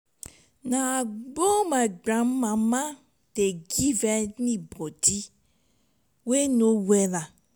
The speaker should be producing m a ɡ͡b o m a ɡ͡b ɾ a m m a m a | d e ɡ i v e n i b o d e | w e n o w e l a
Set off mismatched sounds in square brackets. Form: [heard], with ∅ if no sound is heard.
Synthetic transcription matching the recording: [n] a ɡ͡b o m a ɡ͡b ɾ a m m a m a | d e ɡ i v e n i b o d [i] | w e n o w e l a